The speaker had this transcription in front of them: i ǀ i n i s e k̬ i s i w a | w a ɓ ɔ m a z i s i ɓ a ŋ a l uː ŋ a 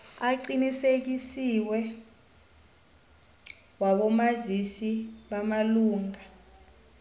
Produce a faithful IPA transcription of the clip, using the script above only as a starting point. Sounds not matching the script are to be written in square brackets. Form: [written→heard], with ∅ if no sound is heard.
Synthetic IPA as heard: [i→a] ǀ i n i s e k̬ i s i w [a→ɛ] | w a ɓ ɔ m a z i s i ɓ a [ŋ→m] a l uː ŋ a